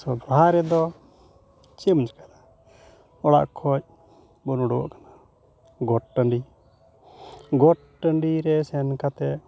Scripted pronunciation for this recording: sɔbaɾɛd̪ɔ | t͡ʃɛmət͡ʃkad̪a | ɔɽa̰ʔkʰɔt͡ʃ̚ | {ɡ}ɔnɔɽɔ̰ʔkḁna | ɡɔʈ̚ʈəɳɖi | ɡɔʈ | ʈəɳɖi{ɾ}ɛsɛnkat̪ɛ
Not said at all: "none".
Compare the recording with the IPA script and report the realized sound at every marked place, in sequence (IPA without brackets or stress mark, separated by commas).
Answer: b, ɾ